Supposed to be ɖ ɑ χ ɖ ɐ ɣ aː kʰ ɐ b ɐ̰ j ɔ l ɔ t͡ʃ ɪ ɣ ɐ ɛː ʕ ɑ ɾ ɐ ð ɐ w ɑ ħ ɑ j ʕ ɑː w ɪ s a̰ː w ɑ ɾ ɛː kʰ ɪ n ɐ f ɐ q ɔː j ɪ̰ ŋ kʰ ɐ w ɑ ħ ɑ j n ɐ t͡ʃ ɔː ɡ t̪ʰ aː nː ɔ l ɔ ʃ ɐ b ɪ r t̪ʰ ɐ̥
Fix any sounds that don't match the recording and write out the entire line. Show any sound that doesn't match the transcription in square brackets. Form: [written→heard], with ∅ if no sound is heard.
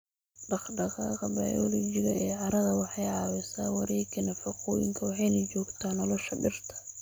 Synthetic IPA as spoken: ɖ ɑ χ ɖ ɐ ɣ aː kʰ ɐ b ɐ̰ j ɔ l ɔ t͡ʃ ɪ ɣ ɐ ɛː ʕ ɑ ɾ ɐ ð ɐ w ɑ ħ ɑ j ʕ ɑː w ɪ s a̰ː w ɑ ɾ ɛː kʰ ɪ n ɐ f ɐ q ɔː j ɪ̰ ŋ kʰ ɐ w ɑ ħ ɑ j n ɐ t͡ʃ ɔː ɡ t̪ʰ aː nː ɔ l ɔ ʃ ɐ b ɪ r t̪ʰ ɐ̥